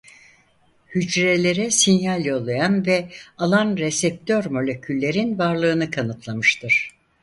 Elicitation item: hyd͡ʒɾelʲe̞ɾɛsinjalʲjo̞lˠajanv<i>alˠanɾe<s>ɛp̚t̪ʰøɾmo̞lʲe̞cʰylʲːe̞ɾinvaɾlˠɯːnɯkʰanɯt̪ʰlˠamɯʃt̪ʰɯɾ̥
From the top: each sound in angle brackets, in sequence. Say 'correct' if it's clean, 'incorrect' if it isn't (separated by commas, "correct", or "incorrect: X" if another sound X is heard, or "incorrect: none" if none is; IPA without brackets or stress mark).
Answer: incorrect: ɛ, correct